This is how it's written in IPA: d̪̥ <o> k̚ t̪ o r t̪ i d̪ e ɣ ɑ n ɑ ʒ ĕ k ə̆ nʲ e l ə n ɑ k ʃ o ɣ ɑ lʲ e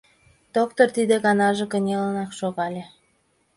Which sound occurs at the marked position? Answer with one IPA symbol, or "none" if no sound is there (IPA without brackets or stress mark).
o